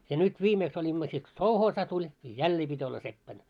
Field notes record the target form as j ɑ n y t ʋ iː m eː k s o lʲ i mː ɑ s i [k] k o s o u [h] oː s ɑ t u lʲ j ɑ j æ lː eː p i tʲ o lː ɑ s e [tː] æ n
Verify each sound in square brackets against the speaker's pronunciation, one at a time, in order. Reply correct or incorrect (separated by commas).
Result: incorrect, correct, incorrect